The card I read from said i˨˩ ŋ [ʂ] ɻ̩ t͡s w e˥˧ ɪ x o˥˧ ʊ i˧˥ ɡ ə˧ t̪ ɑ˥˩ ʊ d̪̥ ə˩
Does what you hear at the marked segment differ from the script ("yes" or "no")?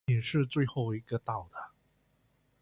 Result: no